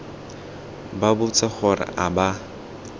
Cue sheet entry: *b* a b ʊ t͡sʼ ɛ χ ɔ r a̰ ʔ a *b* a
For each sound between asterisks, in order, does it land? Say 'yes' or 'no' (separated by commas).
yes, yes